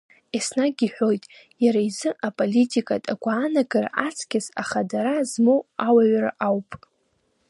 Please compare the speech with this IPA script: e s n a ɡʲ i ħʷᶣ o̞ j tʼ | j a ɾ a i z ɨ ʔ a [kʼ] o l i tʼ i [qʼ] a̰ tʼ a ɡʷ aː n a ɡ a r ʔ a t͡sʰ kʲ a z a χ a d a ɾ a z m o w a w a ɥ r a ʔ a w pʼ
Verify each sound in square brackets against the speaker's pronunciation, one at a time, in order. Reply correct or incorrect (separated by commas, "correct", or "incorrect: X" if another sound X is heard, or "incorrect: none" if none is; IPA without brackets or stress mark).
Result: incorrect: pʼ, incorrect: kʼ